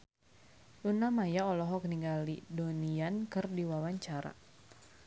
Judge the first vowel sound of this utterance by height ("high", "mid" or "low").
high